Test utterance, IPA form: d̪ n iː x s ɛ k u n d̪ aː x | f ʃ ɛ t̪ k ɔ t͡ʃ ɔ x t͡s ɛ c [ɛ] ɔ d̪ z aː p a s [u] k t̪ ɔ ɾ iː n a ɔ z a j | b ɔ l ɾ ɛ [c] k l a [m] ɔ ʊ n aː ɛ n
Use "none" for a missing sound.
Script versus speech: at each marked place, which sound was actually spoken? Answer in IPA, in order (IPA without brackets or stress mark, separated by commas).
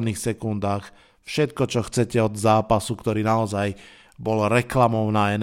ɛ, u, none, m